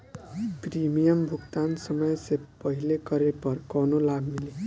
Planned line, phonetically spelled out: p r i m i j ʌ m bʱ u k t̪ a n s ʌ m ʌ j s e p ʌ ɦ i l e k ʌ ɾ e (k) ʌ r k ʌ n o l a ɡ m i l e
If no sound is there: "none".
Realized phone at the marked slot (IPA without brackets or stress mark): p